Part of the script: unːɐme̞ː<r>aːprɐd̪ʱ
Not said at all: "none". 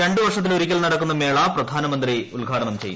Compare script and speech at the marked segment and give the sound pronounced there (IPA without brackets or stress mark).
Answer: ɭ